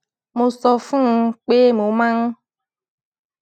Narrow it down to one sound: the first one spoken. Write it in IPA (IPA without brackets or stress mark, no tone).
m